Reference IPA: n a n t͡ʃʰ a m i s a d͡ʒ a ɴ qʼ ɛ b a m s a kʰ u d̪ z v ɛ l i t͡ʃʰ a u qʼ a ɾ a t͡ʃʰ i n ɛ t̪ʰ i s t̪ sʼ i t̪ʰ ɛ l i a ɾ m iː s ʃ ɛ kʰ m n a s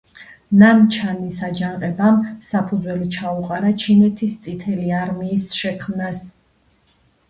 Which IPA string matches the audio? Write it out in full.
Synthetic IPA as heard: n a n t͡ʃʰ a n i s a d͡ʒ a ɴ qʼ ɛ b a m s a pʰ u d̪ z w ɛ l i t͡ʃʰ a u qʼ a ɾ a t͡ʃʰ i n ɛ t̪ʰ i s t̪ sʼ i t̪ʰ ɛ l i a ɾ m iː s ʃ ɛ kʰ m n a s

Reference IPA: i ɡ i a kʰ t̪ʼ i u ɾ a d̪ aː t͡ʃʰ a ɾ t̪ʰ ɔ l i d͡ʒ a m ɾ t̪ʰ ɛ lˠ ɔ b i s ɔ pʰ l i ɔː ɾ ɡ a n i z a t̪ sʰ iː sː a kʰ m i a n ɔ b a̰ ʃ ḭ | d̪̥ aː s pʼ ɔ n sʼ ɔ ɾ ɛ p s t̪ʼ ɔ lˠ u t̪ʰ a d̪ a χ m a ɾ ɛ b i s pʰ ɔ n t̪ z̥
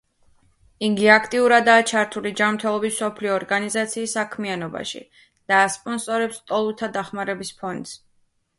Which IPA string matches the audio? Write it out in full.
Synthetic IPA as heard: i ɡ i a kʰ t̪ʼ i u ɾ a d̪ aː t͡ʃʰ a ɾ t̪ʰ u l i d͡ʒ a m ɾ t̪ʰ ɛ lˠ ɔ b i s ɔ pʰ l i ɔː ɾ ɡ a n i z a t̪ sʰ iː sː a kʰ m i a n ɔ b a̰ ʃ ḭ | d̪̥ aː s pʼ ɔ n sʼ ɔ ɾ ɛ p s t̪ʼ ɔ lˠ u t̪ʰ a d̪ a χ m a ɾ ɛ b i s pʰ ɔ n d̪ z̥

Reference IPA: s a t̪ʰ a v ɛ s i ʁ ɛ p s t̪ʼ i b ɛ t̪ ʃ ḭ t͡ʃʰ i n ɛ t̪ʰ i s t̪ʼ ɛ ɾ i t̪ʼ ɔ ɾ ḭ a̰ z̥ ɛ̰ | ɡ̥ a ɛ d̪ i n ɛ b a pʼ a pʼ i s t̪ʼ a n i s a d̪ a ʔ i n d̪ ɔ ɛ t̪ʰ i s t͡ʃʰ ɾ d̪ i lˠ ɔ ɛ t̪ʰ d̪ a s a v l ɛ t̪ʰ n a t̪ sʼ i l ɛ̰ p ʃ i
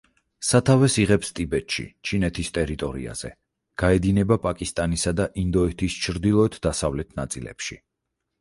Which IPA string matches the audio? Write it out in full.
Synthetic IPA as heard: s a t̪ʰ a v ɛ s i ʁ ɛ p s t̪ʼ i b ɛ t̪ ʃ ḭ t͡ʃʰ i n ɛ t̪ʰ i s t̪ʼ ɛ ɾ i t̪ʼ ɔ ɾ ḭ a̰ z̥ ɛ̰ | ɡ̥ a ɛ d̪ i n ɛ b a pʼ a kʼ i s t̪ʼ a n i s a d̪ a ʔ i n d̪ ɔ ɛ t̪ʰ i s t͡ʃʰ ɾ d̪ i lˠ ɔ ɛ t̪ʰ d̪ a s a v l ɛ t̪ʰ n a t̪ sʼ i l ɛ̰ p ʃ i

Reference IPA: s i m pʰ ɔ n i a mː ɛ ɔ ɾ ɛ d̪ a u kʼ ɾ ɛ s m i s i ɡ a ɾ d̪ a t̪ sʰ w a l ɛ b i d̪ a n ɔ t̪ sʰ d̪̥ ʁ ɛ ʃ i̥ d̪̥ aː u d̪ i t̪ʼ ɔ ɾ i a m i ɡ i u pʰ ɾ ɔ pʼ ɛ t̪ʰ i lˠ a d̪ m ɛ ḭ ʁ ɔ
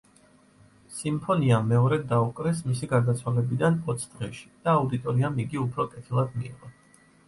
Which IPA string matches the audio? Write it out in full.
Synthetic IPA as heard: s i m pʰ ɔ n i a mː ɛ ɔ ɾ ɛ d̪ a u kʼ ɾ ɛ s m i s i ɡ a ɾ d̪ a t̪ sʰ w a l ɛ b i d̪ a n ɔ t̪ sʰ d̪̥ ʁ ɛ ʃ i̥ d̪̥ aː u d̪ i t̪ʼ ɔ ɾ i a m i ɡ i u pʰ ɾ ɔ kʼ ɛ t̪ʰ i lˠ a d̪ m i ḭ ʁ ɔ

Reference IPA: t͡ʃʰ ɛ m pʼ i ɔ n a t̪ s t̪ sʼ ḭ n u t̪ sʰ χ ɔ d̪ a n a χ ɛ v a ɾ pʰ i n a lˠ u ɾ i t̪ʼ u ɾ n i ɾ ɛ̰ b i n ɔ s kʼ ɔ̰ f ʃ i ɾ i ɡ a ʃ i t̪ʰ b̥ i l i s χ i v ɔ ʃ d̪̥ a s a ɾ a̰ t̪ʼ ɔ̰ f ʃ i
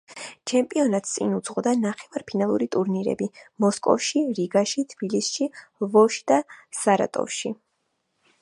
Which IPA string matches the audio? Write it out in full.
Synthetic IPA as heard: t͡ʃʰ ɛ m pʼ i ɔ n a t̪ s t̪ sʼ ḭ n u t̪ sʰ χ ɔ d̪ a n a χ ɛ v a ɾ pʰ i n a lˠ u ɾ i t̪ʼ u ɾ n i ɾ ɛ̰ b i m ɔ s kʼ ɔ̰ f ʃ i ɾ i ɡ a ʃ i t̪ʰ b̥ i l i s ʃ i v ɔ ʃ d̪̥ a s a ɾ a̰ t̪ʼ ɔ̰ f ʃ i

